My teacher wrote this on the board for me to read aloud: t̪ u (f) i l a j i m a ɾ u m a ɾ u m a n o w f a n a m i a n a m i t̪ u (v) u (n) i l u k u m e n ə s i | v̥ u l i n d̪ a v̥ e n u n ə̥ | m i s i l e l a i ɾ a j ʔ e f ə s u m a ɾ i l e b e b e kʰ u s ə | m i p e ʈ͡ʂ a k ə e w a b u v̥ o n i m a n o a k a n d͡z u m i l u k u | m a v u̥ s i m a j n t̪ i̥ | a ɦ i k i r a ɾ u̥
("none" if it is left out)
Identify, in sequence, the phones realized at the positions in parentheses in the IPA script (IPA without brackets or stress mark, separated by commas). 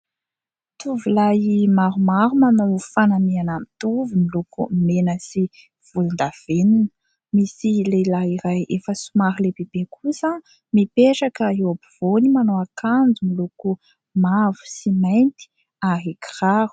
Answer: v, v, m